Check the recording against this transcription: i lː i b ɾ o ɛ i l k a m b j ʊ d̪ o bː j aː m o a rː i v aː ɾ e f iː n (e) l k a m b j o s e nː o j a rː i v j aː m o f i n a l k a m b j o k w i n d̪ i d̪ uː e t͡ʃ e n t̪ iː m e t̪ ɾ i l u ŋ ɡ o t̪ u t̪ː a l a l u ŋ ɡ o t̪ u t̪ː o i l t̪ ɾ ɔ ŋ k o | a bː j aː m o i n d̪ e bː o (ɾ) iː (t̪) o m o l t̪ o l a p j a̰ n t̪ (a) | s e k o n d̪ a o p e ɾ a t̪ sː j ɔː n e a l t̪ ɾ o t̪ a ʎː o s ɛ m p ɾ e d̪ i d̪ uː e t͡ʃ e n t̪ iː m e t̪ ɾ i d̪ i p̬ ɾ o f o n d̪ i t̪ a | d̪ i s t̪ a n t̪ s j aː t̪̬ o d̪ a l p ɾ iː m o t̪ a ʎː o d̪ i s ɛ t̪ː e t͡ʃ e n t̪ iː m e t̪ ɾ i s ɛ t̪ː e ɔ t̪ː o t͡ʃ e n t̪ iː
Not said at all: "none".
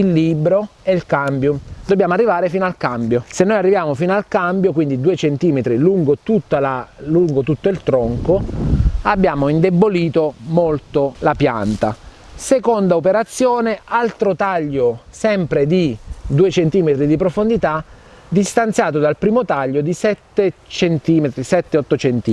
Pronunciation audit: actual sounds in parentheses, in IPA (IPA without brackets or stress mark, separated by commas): a, l, t̪, a